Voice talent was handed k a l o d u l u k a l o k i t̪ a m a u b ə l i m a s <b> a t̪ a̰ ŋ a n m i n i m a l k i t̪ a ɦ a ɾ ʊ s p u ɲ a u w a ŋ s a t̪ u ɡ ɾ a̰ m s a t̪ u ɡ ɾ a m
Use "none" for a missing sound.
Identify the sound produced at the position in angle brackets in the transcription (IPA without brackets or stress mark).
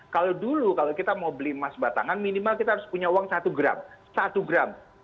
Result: b